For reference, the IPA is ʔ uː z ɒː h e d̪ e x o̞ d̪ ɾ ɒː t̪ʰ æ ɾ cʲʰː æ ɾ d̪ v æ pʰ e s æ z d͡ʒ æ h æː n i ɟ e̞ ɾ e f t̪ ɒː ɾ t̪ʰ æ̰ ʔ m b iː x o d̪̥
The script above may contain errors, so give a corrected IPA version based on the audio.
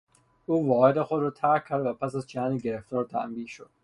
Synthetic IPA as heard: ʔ uː v ɒː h e d̪ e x o̞ d̪ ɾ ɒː t̪ʰ æ ɾ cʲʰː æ ɾ d̪ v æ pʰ æ s æ z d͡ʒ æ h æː n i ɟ e̞ ɾ e f t̪ ɒː ɾ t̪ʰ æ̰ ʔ m b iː ʃ o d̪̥

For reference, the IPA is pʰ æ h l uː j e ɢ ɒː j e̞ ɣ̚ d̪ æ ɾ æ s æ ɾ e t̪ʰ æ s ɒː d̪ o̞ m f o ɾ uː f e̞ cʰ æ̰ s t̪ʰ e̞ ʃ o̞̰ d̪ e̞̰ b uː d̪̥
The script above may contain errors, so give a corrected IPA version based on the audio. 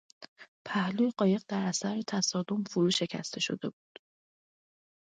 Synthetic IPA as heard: pʰ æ h l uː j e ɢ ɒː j e̞ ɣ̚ d̪ æ ɾ æ s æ ɾ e t̪ʰ æ s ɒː d̪ o̞ m f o ɾ uː ʃ e̞ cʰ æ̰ s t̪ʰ e̞ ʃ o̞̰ d̪ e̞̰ b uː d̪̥

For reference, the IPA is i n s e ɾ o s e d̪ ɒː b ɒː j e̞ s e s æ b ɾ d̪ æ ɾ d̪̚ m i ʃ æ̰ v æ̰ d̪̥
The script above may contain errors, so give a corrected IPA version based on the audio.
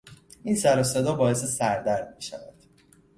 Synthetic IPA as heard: i n s æ ɾ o s e d̪ ɒː b ɒː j e̞ s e s æ ɾ d̪ æ ɾ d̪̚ m i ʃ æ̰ v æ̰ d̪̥

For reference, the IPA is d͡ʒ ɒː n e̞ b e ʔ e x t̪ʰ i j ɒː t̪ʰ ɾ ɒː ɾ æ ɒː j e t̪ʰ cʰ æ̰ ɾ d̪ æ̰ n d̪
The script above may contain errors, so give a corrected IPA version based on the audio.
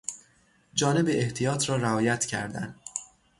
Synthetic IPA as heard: d͡ʒ ɒː n e̞ b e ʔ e h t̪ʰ i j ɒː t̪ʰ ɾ ɒː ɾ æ ɒː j æ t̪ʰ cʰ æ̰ ɾ d̪ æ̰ n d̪

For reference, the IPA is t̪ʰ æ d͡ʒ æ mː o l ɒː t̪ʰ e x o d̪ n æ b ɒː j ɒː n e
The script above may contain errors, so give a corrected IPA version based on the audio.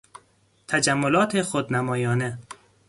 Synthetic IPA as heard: t̪ʰ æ d͡ʒ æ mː o l ɒː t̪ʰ e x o d̪ n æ m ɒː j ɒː n e

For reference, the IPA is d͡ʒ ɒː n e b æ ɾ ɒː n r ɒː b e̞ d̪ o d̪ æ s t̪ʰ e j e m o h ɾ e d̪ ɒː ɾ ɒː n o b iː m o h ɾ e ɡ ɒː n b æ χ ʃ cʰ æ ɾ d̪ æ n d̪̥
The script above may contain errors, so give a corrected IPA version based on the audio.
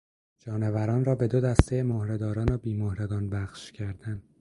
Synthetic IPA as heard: d͡ʒ ɒː n e v æ ɾ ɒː n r ɒː b e̞ d̪ o d̪ æ s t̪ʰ e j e m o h ɾ e d̪ ɒː ɾ ɒː n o b iː m o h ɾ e ɡ ɒː n b æ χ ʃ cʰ æ ɾ d̪ æ n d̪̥

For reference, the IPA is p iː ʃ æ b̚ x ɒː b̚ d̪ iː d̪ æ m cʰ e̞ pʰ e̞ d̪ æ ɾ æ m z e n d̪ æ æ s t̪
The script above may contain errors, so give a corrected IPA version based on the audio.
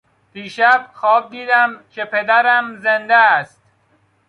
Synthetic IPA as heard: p iː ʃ æ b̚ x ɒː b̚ d̪ iː d̪ æ m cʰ e̞ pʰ e̞ d̪ æ ɾ æ m z e n d̪ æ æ s t̪

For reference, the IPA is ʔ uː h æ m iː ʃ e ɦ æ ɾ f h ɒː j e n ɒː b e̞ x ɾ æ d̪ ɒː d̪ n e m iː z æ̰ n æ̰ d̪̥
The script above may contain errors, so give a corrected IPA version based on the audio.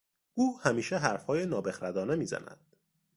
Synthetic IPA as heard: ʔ uː h æ m iː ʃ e ɦ æ ɾ f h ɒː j e n ɒː b e̞ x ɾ æ d̪ ɒː n e m iː z æ̰ n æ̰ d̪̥

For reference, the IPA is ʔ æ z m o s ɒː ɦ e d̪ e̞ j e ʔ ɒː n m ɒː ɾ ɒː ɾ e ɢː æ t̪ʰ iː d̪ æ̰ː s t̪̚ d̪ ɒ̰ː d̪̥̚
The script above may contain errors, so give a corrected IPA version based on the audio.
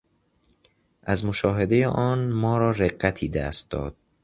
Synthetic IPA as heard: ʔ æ z m o ʃ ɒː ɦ e d̪ e̞ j e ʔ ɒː n m ɒː ɾ ɒː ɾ e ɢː æ t̪ʰ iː d̪ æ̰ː s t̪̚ d̪ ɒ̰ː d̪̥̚

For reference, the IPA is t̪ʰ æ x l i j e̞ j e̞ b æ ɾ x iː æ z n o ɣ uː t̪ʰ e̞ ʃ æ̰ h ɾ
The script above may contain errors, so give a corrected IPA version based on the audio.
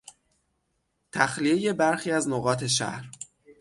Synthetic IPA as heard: t̪ʰ æ x l i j e̞ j e̞ b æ ɾ x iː æ z n o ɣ ɒː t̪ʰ e̞ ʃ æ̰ h ɾ

